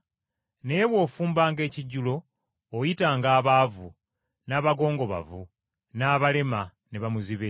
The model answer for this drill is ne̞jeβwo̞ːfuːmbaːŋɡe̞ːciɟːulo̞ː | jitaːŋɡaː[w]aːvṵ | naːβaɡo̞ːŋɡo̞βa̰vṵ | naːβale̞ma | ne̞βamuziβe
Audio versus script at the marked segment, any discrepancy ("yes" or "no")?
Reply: yes